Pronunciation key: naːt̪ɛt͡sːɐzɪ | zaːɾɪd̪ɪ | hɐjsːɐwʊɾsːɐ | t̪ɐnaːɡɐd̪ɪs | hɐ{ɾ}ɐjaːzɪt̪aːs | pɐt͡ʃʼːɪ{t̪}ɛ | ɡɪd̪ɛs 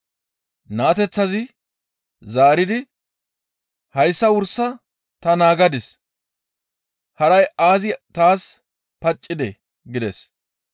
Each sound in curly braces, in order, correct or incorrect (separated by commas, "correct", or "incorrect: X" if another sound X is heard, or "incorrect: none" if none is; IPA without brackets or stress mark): correct, incorrect: d̪